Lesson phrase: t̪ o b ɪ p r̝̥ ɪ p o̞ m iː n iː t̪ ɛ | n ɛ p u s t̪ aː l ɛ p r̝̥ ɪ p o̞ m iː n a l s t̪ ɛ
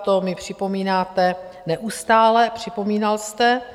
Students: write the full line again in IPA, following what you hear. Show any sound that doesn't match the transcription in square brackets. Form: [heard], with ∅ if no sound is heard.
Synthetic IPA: t̪ o [m] ɪ p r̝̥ ɪ p o̞ m iː n [aː] t̪ ɛ | n ɛ [ʔ] u s t̪ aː l ɛ p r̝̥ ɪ p o̞ m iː n a l s t̪ ɛ